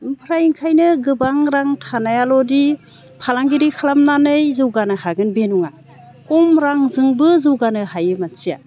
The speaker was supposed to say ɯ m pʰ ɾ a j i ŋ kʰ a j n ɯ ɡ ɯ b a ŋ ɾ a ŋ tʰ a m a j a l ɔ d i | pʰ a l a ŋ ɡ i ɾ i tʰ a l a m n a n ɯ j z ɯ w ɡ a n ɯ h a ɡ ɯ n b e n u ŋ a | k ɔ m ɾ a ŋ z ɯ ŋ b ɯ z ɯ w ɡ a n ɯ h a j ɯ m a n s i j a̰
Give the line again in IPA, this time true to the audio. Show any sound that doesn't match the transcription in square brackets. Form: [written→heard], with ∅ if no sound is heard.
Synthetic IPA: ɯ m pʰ ɾ a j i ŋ kʰ a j n ɯ ɡ ɯ b a ŋ ɾ a ŋ tʰ a [m→n] a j a l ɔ d i | pʰ a l a ŋ ɡ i ɾ i [tʰ→kʰ] a l a m n a n ɯ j z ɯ w ɡ a n ɯ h a ɡ ɯ n b e n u ŋ a | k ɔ m ɾ a ŋ z ɯ ŋ b ɯ z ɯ w ɡ a n ɯ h a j ɯ m a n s i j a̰